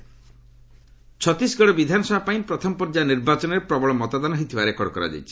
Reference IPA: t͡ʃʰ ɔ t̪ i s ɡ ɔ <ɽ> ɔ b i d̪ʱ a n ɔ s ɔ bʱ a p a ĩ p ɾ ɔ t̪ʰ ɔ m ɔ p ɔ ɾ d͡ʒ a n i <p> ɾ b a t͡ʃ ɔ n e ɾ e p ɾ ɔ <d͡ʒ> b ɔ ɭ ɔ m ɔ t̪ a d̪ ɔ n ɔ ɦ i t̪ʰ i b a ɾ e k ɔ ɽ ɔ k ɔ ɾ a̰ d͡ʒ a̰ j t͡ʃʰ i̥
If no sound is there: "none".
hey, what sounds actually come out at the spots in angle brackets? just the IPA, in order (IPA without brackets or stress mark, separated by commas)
ɽ, none, none